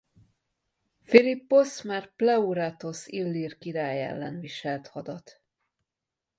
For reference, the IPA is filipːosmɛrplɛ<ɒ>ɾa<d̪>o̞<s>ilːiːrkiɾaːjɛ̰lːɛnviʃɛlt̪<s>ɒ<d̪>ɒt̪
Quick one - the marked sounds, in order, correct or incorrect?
incorrect, incorrect, correct, incorrect, correct

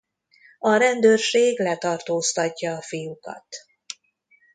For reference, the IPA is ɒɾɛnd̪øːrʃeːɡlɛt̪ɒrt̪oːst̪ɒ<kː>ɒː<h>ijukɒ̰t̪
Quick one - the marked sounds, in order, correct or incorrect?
incorrect, incorrect

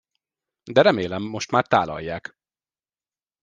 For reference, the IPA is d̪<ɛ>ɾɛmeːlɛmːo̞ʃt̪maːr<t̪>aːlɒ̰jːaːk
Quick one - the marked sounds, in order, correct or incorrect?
correct, correct

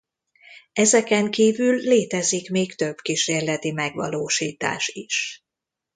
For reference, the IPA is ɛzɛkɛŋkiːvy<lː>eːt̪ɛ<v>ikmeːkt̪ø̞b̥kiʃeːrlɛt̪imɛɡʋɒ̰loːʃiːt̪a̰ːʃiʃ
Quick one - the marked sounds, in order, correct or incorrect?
correct, incorrect

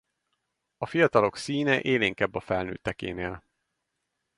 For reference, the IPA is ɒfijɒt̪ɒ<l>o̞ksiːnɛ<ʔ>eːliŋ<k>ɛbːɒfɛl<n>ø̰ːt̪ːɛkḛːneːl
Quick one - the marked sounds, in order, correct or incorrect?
correct, correct, correct, correct

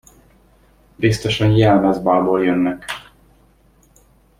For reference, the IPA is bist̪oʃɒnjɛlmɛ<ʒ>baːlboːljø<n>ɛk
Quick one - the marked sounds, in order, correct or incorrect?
incorrect, incorrect

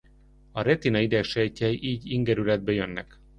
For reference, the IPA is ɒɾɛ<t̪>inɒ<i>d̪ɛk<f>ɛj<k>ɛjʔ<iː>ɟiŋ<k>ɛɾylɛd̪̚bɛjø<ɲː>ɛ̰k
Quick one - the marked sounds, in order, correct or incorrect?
correct, correct, incorrect, incorrect, correct, incorrect, incorrect

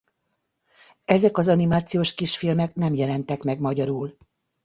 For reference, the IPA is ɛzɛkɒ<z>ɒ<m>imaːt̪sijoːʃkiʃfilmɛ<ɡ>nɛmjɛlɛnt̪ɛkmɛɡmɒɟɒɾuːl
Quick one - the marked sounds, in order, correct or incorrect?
correct, incorrect, incorrect

